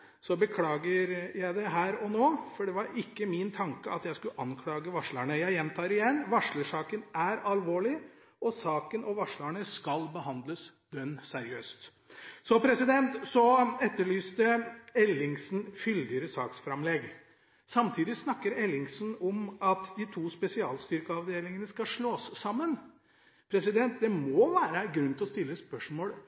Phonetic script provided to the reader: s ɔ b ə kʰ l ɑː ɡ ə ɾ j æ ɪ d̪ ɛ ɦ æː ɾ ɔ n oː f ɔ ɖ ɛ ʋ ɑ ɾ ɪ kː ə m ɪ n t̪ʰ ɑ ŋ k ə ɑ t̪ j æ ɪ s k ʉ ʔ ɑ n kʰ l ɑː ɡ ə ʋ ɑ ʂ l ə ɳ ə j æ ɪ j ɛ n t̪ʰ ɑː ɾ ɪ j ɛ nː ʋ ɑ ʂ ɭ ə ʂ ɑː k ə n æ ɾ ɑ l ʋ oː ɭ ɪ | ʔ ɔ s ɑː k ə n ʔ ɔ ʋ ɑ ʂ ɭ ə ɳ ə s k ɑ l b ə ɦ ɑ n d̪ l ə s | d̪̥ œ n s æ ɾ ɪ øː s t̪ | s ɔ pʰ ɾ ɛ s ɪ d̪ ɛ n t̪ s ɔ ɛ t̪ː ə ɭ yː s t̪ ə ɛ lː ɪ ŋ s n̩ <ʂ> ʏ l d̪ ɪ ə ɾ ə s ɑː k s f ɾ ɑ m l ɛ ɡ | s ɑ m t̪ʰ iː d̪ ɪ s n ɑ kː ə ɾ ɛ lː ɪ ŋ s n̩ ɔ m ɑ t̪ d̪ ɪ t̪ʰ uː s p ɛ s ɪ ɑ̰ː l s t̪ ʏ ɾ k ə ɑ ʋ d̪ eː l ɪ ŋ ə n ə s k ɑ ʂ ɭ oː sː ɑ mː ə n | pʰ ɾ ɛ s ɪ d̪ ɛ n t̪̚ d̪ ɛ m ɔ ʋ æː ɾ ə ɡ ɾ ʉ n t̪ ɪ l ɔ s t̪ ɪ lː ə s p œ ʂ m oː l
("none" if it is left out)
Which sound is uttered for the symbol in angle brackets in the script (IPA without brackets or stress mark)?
f